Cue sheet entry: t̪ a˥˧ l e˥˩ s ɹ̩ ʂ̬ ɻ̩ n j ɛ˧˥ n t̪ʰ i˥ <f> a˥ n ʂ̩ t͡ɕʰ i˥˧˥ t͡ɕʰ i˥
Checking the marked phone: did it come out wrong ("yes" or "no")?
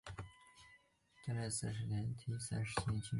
yes